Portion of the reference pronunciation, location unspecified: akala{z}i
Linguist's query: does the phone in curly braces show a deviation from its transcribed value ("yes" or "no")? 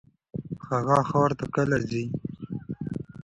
no